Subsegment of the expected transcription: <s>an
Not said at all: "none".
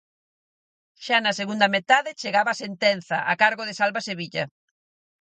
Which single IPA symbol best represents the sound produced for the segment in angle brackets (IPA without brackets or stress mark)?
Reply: ʃ